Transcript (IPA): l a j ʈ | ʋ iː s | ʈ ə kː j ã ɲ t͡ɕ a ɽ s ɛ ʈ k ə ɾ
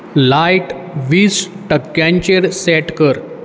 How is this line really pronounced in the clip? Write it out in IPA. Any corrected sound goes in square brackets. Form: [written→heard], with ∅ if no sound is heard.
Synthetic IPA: l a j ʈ | ʋ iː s | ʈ ə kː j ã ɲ t͡ɕ [a→e] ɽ s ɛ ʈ k ə ɾ